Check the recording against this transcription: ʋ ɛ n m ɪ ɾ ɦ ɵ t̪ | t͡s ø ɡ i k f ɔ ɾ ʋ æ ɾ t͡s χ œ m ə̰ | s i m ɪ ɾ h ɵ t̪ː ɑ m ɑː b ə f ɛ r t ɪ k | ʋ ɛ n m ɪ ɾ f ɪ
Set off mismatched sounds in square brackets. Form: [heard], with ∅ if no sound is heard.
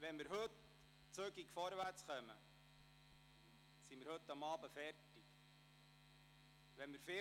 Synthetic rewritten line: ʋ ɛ n m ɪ ɾ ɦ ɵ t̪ | t͡s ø ɡ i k f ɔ ɾ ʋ æ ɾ t͡s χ œ m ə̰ | s i m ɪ ɾ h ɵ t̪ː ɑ m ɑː b ə f ɛ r t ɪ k | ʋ ɛ n m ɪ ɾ f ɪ